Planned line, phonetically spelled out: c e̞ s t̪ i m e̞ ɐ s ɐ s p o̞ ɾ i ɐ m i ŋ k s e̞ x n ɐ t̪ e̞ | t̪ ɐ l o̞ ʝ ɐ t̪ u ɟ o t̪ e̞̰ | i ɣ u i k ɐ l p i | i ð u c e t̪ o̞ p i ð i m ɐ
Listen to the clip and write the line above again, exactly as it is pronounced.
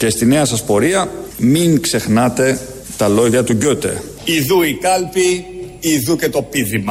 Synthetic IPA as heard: c e̞ s t̪ i n e̞ ɐ s ɐ s p o̞ ɾ i ɐ m i ŋ k s e̞ x n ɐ t̪ e̞ | t̪ ɐ l o̞ ʝ ɐ t̪ u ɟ o t̪ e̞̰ | i ð u i k ɐ l p i | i ð u c e t̪ o̞ p i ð i m ɐ